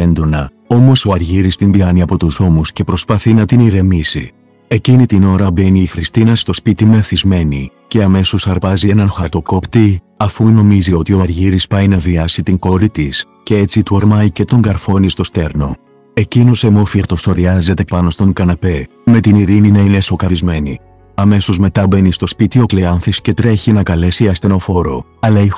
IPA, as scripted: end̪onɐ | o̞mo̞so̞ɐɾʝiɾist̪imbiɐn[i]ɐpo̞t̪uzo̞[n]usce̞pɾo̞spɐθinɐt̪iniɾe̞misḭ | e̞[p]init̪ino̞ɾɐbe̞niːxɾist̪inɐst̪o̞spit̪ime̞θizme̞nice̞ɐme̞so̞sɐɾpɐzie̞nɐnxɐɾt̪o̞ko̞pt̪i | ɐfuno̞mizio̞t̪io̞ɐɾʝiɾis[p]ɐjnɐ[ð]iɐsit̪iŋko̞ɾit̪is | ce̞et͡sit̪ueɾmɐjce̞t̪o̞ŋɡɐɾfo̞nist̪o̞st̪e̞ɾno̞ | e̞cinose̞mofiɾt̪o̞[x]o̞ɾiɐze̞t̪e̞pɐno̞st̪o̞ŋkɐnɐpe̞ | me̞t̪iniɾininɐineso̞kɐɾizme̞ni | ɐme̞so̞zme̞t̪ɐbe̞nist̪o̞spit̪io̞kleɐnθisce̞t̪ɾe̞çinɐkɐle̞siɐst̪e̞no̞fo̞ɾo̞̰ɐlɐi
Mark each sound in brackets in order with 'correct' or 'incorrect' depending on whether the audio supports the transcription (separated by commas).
correct, incorrect, incorrect, correct, incorrect, incorrect